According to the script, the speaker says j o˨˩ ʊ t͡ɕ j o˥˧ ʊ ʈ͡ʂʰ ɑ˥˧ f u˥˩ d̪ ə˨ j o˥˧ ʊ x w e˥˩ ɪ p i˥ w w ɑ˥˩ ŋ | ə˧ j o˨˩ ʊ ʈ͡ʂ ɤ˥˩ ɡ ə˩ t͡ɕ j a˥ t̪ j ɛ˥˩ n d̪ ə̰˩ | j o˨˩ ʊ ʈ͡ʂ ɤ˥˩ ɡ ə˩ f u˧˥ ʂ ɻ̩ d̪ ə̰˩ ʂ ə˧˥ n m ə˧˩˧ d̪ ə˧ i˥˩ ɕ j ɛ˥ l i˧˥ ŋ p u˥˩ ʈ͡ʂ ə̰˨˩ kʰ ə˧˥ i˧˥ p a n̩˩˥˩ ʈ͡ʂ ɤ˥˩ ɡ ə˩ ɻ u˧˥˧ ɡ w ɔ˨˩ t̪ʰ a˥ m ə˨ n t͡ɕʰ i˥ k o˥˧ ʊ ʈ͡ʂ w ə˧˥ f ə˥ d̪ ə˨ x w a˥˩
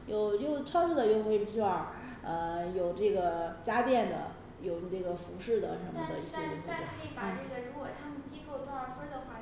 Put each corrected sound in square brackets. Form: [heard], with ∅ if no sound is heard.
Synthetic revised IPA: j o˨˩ ʊ t͡ɕ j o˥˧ ʊ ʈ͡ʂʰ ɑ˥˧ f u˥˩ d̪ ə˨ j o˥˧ ʊ x w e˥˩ ɪ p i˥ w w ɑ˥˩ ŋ | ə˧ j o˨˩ ʊ ʈ͡ʂ ɤ˥˩ ɡ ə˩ t͡ɕ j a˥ t̪ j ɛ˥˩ n d̪ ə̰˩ | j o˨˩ ʊ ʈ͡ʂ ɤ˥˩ ɡ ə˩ f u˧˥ ʂ ɻ̩ d̪ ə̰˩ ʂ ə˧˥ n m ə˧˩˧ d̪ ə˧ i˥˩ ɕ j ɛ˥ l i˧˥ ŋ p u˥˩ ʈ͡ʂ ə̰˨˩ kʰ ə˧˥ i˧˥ p a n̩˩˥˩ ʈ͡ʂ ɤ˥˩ ɡ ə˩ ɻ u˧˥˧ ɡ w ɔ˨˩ t̪ʰ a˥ m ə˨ n [t͡ɕ] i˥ k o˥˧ ʊ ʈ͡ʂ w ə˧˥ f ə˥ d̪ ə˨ x w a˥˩